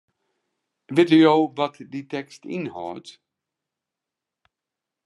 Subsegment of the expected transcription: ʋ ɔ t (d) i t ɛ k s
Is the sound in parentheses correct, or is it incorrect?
correct